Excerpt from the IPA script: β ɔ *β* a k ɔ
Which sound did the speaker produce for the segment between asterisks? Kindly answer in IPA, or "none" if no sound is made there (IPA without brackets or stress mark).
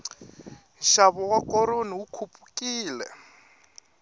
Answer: w